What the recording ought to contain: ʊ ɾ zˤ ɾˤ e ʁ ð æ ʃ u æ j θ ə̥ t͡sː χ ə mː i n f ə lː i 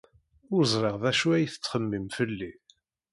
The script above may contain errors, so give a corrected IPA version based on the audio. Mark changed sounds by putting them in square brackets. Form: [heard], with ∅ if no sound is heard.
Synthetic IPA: ʊ ɾ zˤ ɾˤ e ʁ ð æ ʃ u æ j θ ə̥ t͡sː χ ə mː i [m] f ə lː i